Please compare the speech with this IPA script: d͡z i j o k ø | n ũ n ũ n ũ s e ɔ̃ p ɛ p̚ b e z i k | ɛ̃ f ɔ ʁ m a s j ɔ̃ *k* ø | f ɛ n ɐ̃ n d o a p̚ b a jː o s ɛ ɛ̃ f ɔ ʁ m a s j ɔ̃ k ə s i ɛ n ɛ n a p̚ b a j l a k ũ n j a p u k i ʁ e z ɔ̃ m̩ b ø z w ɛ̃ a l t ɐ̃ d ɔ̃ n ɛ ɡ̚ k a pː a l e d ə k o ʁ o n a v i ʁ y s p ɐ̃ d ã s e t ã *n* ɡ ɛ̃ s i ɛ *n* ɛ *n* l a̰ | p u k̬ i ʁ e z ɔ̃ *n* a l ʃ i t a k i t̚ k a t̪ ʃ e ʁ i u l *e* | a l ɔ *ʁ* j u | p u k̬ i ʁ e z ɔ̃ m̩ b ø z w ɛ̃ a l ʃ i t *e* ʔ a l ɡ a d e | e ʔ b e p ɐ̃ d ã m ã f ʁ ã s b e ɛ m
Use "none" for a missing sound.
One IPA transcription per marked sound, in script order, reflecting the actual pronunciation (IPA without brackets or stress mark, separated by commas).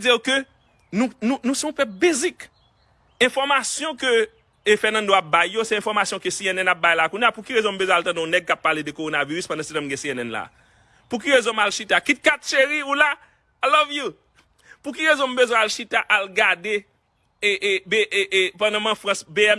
k, m, n, n, m, a, v, a